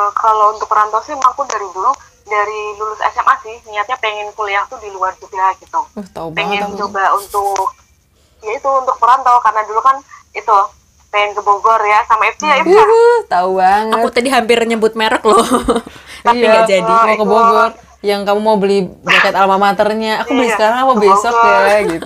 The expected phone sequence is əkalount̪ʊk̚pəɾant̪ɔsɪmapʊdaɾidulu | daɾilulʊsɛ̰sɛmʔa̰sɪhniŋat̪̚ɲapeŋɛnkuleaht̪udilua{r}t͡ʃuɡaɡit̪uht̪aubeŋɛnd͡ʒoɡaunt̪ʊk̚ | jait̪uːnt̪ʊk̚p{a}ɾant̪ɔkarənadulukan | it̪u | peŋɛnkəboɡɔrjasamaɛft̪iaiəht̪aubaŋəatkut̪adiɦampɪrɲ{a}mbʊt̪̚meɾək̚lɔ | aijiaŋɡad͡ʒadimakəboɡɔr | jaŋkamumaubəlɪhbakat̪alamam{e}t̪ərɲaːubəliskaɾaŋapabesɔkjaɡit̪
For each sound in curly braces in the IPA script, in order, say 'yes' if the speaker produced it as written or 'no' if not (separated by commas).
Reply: yes, no, no, no